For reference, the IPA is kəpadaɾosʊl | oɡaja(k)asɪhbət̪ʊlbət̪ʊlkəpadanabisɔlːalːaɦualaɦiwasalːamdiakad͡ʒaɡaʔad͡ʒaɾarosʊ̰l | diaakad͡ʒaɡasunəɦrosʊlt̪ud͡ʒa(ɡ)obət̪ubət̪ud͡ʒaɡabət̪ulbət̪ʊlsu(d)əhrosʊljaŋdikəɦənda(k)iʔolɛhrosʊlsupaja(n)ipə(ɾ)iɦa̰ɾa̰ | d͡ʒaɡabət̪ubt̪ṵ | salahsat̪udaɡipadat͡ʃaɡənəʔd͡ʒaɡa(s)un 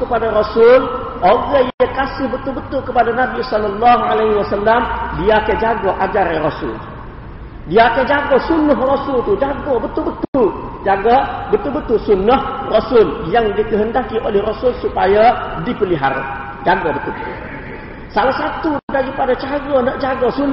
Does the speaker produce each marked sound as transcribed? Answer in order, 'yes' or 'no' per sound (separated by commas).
yes, yes, no, yes, no, no, yes